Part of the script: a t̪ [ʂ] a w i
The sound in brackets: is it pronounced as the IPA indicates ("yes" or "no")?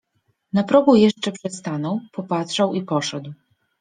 yes